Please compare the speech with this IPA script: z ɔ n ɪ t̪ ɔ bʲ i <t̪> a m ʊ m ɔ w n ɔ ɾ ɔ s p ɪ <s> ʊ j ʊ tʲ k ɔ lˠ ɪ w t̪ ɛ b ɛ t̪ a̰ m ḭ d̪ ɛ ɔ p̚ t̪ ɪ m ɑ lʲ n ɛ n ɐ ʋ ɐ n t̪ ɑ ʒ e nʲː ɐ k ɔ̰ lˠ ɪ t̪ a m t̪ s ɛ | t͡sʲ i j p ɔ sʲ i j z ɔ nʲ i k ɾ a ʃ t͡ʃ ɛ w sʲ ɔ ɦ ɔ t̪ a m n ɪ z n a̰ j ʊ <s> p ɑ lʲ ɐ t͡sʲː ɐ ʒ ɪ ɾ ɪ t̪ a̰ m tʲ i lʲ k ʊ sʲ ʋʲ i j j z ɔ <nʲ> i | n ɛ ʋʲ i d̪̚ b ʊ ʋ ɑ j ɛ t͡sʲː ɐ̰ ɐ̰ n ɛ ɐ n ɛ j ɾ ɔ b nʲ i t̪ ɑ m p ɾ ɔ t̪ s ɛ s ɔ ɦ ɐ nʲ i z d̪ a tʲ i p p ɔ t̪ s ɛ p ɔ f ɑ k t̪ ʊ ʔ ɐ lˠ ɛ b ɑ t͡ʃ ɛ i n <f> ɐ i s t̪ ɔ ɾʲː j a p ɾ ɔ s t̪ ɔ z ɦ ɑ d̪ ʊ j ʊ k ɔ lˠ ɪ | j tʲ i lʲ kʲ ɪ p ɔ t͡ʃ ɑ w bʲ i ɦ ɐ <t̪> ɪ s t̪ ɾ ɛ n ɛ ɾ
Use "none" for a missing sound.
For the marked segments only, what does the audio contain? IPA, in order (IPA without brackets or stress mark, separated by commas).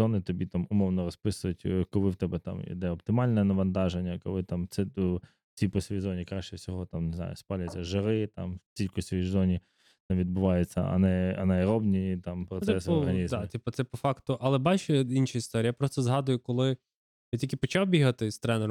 t̪, s, s, nʲ, ʃ, t̪